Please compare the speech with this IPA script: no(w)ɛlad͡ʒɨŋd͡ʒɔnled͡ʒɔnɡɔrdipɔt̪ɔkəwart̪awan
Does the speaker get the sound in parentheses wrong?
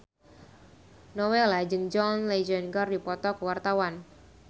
no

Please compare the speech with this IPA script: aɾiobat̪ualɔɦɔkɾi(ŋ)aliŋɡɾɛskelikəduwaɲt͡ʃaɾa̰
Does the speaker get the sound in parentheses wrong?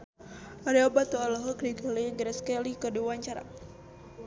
yes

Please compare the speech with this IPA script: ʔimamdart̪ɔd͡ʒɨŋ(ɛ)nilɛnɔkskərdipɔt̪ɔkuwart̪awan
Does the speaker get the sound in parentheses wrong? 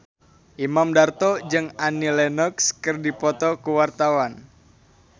yes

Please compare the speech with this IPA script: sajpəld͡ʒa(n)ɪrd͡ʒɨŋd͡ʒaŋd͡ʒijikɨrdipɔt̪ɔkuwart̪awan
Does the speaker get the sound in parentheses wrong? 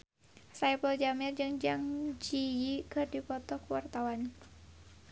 yes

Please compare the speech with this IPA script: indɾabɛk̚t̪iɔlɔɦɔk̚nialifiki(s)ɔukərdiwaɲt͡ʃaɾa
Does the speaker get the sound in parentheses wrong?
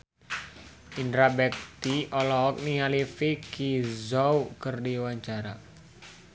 yes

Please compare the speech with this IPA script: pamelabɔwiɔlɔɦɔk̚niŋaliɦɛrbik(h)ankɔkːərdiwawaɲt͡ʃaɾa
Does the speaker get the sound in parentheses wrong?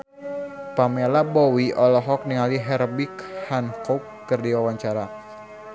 no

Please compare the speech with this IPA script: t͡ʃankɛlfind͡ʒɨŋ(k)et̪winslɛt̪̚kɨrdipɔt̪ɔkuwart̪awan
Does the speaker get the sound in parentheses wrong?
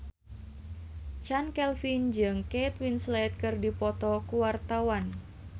no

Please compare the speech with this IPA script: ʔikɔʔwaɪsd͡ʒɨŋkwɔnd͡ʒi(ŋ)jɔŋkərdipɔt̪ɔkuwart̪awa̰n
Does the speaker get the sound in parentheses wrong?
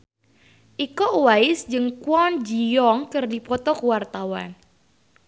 yes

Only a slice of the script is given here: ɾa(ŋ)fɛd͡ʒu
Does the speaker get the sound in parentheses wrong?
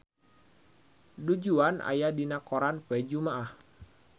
yes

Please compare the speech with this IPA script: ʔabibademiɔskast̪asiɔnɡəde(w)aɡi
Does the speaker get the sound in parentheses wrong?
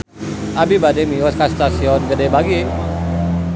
yes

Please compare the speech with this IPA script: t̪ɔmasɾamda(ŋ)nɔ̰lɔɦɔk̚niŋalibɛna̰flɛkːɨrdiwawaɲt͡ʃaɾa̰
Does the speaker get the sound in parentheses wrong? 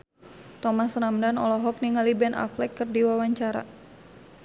yes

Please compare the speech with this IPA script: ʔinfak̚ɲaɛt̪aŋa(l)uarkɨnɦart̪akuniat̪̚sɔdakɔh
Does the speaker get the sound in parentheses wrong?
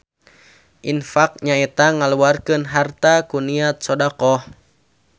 no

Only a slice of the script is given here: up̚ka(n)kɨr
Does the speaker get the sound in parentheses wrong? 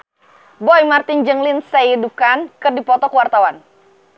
no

